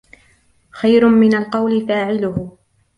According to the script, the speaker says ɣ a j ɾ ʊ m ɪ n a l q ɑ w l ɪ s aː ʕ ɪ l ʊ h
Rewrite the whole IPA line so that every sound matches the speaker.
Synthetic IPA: x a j ɾ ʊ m ɪ n a l q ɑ w l ɪ f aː ʕ ɪ l ʊ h